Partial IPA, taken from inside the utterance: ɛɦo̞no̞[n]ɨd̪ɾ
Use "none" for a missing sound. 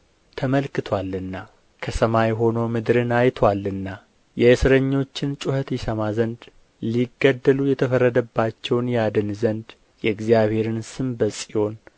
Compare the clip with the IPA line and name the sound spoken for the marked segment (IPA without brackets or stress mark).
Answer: m